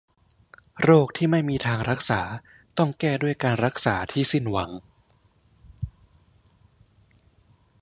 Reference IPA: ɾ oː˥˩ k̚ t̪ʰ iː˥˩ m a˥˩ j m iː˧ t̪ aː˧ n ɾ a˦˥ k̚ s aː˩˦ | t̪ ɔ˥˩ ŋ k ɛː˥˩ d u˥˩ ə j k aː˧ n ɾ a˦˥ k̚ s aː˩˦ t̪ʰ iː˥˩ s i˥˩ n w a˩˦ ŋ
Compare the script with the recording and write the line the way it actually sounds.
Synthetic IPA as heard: ɾ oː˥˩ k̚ t̪ʰ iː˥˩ m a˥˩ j m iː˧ t̪ʰ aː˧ ŋ ɾ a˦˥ k̚ s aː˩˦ | t̪ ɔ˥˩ ŋ k ɛː˥˩ d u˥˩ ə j k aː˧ n ɾ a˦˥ k̚ s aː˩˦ t̪ʰ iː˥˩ s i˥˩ n w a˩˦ ŋ